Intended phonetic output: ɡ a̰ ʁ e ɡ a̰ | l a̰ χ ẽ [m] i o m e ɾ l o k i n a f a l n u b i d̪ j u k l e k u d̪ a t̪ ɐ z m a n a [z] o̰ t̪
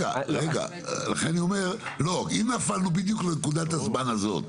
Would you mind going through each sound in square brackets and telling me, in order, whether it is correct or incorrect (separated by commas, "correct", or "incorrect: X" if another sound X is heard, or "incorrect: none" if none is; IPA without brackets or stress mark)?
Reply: incorrect: n, correct